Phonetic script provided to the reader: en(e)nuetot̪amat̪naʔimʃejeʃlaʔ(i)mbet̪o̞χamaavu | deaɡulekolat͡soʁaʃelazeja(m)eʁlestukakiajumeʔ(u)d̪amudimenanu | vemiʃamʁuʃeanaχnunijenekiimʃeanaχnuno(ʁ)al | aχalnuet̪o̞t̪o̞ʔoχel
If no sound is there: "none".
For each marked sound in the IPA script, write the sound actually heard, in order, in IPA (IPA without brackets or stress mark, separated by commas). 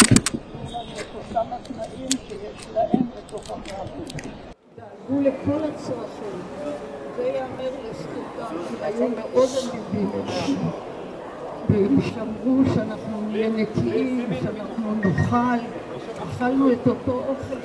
a, e, m, o, χ